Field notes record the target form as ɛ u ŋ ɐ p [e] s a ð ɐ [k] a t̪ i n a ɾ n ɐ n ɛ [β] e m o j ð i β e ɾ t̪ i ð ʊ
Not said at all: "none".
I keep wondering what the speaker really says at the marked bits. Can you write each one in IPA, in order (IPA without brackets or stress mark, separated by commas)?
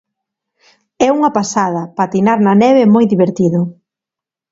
a, p, β